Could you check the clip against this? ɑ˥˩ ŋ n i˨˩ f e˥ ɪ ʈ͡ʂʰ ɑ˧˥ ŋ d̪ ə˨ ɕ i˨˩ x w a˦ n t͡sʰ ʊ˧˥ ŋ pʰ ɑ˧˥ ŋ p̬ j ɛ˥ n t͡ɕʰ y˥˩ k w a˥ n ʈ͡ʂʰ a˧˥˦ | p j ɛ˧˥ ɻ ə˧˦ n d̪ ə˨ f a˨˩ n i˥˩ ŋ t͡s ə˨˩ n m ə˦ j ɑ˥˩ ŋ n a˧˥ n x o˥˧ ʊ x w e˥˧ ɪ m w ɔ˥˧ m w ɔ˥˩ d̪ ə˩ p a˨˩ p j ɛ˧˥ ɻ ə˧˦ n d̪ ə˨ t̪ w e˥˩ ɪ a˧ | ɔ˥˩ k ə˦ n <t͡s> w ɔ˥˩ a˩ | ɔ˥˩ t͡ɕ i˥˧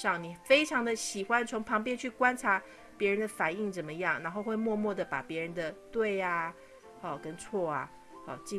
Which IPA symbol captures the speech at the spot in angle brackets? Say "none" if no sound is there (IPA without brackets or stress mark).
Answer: t͡sʰ